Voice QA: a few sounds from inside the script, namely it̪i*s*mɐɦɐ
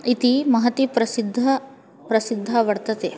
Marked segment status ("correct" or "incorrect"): incorrect